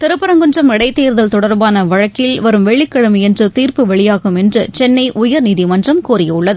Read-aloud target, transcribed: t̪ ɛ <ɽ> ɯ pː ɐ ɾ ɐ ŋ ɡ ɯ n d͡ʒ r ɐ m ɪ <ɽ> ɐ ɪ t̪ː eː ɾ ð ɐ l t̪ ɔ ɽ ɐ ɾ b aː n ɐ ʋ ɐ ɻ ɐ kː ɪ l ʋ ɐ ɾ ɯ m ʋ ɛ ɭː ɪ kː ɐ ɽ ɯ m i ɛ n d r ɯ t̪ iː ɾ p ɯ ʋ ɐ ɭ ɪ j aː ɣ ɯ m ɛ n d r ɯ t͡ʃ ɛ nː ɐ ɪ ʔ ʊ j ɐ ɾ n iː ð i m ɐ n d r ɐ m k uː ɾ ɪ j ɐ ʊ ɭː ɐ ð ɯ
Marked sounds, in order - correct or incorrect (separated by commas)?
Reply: incorrect, correct